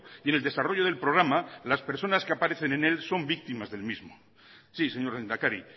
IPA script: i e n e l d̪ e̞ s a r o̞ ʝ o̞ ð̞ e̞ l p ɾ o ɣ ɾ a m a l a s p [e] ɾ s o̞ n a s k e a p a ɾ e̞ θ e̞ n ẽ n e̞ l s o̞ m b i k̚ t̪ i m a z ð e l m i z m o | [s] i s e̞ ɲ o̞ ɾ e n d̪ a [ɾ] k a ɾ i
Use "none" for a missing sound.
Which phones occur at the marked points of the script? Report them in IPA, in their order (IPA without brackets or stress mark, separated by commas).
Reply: e, s, none